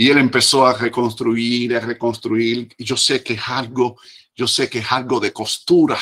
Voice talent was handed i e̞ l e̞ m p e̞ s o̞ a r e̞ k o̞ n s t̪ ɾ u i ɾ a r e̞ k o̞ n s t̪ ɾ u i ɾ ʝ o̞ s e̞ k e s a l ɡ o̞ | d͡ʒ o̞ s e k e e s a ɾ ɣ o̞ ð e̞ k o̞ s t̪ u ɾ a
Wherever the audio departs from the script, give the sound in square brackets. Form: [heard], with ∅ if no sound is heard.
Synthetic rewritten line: i e̞ l e̞ m p e̞ s o̞ a r e̞ k o̞ n s t̪ ɾ u i ɾ a r e̞ k o̞ n s t̪ ɾ u i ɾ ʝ o̞ s e̞ k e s a l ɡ o̞ | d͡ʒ o̞ s e k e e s a [l] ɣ o̞ ð e̞ k o̞ s t̪ u ɾ a